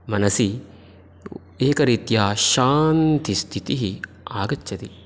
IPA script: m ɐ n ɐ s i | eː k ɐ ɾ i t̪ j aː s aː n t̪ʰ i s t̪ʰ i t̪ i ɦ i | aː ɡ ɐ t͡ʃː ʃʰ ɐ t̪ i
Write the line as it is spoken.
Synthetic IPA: m ɐ n ɐ s i | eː k ɐ ɾ i t̪ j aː ʃ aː n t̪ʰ i s t̪ʰ i t̪ i ɦ i | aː ɡ ɐ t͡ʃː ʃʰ ɐ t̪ i